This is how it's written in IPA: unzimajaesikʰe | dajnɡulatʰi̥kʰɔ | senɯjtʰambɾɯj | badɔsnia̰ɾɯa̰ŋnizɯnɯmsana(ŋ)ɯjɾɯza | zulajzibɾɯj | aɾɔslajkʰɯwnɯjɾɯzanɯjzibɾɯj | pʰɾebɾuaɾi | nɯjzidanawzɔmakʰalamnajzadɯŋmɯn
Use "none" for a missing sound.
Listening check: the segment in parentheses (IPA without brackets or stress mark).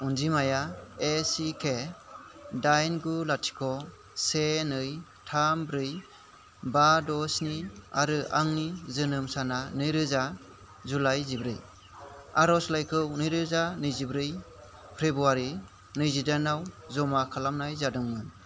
n